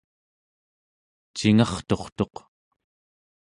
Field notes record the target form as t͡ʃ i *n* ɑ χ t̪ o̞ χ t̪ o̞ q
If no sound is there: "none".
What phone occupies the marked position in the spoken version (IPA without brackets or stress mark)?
ŋ